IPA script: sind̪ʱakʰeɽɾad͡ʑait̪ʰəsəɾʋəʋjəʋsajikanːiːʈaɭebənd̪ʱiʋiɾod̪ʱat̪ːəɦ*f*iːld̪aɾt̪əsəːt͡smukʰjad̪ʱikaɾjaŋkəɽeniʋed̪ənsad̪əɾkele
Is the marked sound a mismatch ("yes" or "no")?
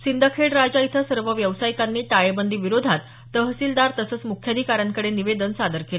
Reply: yes